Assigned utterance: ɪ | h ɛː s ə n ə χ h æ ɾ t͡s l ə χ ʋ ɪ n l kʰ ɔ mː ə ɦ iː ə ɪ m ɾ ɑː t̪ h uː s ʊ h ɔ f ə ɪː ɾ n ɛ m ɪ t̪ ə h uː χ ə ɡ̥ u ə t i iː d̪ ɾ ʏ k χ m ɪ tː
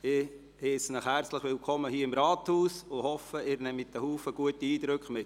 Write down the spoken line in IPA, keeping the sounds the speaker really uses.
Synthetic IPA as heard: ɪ | h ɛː s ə n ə χ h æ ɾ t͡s l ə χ ʋ ɪ l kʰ ɔ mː ə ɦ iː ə ɪ m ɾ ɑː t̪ h uː s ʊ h ɔ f ə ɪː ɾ n ɛ m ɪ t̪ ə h uː f ə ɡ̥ u ə t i iː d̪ ɾ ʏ k χ m ɪ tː